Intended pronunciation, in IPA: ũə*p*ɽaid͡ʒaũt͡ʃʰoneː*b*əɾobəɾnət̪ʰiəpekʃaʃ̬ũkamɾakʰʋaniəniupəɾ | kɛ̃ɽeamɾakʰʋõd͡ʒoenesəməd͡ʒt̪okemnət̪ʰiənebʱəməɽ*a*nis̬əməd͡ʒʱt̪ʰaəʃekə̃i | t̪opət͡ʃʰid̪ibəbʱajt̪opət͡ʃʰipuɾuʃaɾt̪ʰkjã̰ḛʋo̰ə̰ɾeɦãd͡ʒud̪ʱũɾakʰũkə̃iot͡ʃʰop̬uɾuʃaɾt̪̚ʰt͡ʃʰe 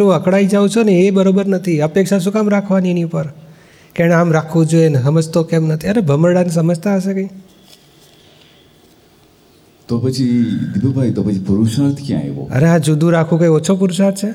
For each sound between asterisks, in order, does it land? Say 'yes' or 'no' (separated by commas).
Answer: no, yes, yes